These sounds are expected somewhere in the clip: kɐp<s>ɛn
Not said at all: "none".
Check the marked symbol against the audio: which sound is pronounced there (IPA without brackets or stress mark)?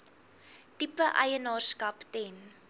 t